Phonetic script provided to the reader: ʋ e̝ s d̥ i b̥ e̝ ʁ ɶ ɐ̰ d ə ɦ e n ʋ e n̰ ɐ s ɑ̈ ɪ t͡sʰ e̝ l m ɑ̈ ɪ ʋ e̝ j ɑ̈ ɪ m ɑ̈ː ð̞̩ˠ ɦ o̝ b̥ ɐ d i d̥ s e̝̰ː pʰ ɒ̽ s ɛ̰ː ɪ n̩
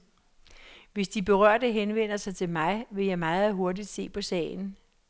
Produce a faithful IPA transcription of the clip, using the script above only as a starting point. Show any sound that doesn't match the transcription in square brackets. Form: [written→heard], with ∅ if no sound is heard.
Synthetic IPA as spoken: ʋ e̝ s d̥ i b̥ e̝ ʁ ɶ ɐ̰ d ə ɦ e n ʋ e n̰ ɐ s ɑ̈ ɪ t͡sʰ e̝ l m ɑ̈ ɪ ʋ e̝ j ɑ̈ ɪ m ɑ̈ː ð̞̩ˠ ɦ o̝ [b̥→∅] ɐ d i d̥ s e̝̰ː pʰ ɒ̽ s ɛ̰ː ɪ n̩